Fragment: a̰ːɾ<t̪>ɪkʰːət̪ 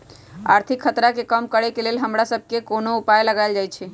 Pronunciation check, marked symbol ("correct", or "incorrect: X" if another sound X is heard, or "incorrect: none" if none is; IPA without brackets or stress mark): incorrect: t̪ʰ